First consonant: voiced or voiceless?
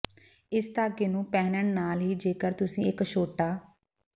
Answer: voiceless